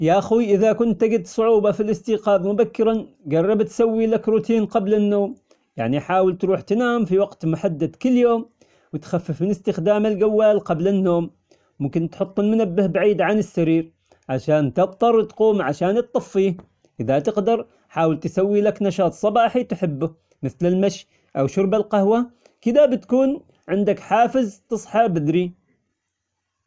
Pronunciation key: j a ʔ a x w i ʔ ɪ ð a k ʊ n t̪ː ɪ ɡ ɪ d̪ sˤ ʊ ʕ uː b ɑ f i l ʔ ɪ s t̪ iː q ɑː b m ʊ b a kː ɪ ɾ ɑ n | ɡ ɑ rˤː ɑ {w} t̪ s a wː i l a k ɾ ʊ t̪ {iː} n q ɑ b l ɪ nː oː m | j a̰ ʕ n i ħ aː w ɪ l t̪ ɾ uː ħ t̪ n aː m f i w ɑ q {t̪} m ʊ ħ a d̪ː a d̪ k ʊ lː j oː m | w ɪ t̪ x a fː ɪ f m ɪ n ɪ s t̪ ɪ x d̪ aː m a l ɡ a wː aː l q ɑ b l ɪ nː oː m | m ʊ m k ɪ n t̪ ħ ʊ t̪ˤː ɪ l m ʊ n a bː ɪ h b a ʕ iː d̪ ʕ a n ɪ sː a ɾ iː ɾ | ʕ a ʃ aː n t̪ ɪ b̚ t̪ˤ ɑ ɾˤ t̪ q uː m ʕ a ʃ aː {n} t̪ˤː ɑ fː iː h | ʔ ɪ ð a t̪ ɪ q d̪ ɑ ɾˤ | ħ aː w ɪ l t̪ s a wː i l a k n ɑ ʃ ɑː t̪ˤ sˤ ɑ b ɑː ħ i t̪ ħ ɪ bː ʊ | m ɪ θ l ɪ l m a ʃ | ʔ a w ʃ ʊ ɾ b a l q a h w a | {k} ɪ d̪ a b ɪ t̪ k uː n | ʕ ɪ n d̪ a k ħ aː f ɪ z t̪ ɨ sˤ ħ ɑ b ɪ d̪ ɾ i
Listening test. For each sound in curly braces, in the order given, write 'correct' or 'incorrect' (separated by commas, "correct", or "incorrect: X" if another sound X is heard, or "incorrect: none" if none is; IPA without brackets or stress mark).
incorrect: b, correct, correct, correct, correct